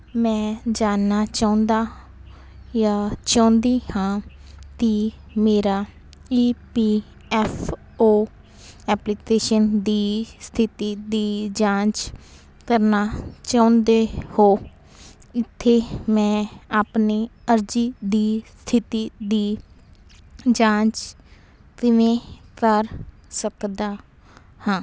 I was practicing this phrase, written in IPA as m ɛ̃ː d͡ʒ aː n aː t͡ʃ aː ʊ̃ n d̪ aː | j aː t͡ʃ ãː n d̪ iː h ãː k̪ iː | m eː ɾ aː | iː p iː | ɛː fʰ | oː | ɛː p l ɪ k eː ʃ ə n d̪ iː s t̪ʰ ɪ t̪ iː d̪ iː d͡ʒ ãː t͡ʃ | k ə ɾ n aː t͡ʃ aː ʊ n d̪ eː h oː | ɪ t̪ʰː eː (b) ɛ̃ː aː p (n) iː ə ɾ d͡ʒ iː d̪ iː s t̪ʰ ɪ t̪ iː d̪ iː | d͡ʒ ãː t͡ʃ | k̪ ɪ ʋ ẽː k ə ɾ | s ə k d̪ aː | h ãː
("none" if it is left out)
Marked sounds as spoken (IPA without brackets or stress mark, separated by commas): m, n